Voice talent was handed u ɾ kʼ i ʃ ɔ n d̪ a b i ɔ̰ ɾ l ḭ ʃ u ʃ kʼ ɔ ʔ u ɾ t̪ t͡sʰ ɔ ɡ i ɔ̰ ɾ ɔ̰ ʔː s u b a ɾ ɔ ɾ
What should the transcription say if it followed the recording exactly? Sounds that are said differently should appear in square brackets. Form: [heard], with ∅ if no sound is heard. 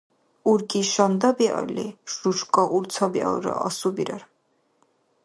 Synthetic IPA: u ɾ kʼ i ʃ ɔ n d̪ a b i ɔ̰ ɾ l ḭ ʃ u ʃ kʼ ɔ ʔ u ɾ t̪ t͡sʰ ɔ [b] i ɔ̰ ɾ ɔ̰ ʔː s u b [i] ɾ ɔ ɾ